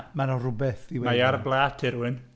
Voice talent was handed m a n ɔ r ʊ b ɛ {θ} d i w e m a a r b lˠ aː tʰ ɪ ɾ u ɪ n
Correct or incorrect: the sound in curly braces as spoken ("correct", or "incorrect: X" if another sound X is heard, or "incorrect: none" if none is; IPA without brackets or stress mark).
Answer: correct